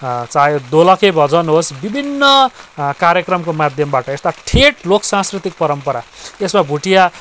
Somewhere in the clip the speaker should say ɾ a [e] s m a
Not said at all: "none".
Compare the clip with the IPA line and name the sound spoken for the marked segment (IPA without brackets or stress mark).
e